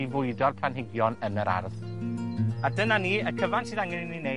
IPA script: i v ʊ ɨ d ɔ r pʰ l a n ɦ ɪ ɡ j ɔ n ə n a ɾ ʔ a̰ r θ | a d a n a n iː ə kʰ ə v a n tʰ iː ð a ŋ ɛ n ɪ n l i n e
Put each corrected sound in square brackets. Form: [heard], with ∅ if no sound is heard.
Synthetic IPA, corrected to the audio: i v ʊ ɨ d ɔ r pʰ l a n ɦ ɪ ɡ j ɔ n ə n [ə] ɾ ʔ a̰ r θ | a d [ə] n a n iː ə kʰ ə v a n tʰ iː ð a ŋ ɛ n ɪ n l i n e